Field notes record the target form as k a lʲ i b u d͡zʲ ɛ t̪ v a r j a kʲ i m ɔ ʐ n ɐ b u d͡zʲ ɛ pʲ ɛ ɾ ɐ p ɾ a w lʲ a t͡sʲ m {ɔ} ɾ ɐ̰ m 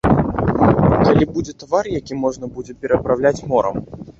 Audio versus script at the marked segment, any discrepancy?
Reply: no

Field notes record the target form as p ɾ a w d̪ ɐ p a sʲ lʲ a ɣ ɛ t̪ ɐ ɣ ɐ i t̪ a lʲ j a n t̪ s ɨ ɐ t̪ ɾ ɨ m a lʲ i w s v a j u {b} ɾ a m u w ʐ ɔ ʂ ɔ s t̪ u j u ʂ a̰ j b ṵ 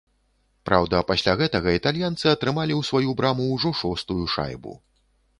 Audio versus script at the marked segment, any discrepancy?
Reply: no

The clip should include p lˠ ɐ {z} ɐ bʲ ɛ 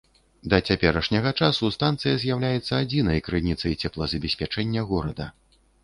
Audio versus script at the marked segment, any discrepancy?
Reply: no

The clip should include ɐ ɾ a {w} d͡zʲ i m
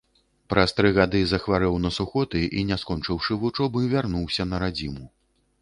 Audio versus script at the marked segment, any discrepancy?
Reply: yes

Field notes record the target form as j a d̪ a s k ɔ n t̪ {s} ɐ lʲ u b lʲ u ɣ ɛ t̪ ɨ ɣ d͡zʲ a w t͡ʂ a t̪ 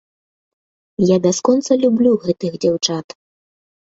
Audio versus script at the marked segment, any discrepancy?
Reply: no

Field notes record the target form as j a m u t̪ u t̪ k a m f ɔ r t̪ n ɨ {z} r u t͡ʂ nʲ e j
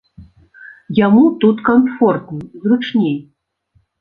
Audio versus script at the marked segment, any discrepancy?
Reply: no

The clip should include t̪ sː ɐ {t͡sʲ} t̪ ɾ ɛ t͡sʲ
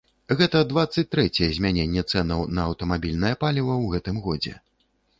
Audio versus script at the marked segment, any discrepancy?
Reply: no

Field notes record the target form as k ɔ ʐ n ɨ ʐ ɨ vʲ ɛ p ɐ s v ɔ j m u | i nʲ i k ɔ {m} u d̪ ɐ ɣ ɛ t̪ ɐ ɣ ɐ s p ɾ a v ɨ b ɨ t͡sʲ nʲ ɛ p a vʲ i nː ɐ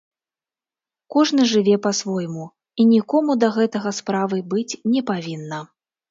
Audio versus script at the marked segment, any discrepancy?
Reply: no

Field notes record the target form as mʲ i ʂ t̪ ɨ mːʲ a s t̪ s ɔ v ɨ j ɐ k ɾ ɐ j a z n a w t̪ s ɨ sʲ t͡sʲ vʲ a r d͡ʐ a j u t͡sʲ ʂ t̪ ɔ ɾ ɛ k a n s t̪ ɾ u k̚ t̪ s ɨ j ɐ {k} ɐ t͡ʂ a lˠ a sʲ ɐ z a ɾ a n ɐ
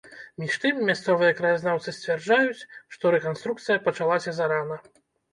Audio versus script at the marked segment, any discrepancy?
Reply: yes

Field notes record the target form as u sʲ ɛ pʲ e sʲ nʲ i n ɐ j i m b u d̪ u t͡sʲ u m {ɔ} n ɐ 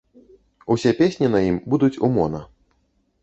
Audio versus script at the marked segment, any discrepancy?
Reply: no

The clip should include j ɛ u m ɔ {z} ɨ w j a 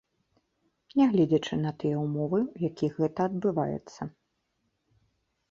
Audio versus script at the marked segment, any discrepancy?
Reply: yes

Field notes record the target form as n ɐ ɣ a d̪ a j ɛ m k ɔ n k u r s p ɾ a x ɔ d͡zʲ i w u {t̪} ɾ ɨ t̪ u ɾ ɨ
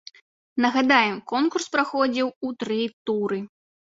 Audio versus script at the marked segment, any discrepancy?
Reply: no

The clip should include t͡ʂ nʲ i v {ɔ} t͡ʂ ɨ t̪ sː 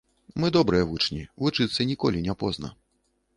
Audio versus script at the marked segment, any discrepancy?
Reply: yes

